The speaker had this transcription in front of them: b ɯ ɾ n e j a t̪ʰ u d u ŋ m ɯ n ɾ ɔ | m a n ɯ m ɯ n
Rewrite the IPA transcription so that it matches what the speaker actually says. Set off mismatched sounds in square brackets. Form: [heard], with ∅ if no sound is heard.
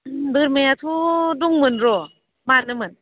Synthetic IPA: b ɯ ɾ [m] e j a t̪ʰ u d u ŋ m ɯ n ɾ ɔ | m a n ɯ m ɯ n